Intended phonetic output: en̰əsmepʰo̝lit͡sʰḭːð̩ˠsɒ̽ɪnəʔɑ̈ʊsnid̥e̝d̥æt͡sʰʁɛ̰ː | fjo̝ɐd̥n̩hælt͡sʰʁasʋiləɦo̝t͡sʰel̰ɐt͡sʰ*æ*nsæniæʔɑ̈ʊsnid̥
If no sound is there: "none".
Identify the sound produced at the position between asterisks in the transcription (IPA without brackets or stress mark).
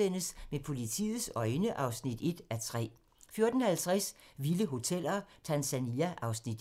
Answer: æ